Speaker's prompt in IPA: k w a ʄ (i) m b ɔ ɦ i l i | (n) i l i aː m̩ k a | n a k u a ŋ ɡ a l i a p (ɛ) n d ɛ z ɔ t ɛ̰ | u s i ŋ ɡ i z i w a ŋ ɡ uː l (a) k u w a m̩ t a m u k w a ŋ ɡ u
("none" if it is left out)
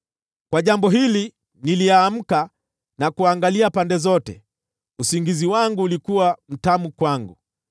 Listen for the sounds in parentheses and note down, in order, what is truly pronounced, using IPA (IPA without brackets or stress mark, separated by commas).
a, n, a, i